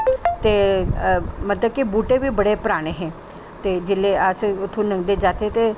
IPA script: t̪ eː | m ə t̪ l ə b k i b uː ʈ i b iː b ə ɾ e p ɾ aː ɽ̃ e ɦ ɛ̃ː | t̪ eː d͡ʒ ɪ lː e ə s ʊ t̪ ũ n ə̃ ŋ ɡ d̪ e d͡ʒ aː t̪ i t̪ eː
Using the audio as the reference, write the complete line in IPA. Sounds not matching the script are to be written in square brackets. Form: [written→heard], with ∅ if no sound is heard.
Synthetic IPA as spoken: t̪ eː | m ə t̪ l ə b k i b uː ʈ [i→e] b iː b ə [ɾ→ɽ] e p ɾ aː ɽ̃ e ɦ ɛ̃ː | t̪ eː d͡ʒ ɪ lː e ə s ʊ [t̪→t̪ʰ] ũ n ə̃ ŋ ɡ d̪ e d͡ʒ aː t̪ [i→e] t̪ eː